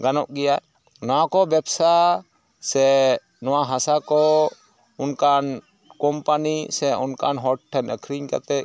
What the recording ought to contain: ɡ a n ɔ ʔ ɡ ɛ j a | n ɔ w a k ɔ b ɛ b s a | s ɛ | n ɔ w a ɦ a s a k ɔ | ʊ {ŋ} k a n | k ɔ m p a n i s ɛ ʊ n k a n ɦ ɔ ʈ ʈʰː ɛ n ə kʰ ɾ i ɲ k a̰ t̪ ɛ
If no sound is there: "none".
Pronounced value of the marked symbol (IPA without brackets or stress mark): n